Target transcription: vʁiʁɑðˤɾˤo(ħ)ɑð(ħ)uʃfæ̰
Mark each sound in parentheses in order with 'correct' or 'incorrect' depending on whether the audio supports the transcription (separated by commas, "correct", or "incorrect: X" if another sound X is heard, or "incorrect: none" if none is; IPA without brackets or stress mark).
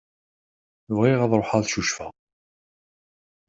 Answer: correct, incorrect: ʃ